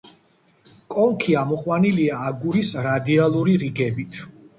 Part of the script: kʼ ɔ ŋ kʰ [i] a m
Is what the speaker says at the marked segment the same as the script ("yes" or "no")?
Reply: yes